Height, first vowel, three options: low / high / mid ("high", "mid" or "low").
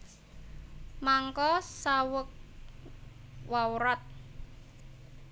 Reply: low